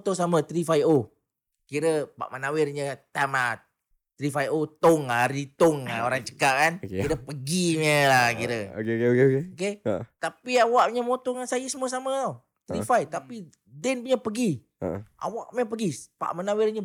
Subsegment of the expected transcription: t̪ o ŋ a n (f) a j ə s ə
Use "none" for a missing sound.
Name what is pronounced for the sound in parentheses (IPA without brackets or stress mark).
s